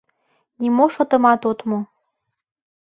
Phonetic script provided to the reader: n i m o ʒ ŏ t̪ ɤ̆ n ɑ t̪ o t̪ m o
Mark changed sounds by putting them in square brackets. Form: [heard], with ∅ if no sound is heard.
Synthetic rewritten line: n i m o [ʃ] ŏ t̪ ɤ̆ [m] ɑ t̪ o t̪ m o

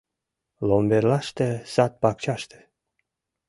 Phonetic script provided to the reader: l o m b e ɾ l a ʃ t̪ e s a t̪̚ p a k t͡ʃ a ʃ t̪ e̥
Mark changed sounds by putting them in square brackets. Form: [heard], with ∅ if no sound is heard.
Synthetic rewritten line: l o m b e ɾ l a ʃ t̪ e s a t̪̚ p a k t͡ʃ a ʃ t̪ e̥

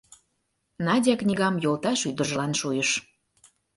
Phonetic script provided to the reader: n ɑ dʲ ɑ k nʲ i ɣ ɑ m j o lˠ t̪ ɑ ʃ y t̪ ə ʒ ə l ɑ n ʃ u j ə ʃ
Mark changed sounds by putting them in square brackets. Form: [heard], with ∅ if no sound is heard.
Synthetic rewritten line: n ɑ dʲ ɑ k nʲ i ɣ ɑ m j o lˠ t̪ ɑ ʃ y [d̪] ə ʒ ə l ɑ n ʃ u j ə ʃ

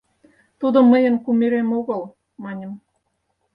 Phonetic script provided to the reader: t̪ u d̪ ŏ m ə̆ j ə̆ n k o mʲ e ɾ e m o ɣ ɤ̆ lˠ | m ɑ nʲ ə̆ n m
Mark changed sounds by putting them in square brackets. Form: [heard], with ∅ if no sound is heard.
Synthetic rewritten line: t̪ u d̪ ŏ m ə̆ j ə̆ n k [u] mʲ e ɾ e m o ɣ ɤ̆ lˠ | m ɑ nʲ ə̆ [∅] m

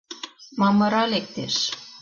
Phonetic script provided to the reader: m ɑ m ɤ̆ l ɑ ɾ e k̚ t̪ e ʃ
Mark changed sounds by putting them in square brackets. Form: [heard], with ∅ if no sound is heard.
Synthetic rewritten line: m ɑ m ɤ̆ [ɾ] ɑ [l] e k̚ t̪ e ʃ

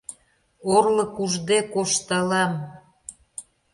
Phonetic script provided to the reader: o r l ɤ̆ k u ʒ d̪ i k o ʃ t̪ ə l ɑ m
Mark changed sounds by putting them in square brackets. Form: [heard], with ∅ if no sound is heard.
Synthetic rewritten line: o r l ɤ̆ k u ʒ d̪ [e] k o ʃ t̪ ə l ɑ m

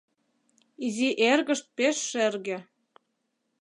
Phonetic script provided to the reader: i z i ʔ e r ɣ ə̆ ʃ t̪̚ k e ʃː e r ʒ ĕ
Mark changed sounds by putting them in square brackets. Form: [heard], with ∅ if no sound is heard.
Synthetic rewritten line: i z i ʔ e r ɣ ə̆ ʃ t̪̚ [p] e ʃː e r [ɣ] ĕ

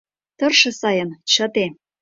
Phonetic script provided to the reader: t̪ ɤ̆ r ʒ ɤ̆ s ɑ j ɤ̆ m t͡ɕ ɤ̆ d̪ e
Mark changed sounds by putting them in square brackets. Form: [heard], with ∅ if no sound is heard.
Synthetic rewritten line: t̪ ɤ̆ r [ʃ] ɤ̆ s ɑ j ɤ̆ [n] t͡ɕ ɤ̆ [t̪] e

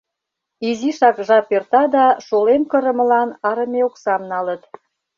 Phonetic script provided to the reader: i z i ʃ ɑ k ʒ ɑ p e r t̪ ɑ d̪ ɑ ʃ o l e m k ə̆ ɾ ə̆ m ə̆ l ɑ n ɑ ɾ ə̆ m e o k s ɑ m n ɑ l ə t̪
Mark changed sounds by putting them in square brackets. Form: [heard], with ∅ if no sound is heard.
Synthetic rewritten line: i z i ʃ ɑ k ʒ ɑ p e r t̪ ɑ d̪ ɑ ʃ o l e m k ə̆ ɾ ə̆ m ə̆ l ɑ n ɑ ɾ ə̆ m e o k s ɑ m n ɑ l ə t̪

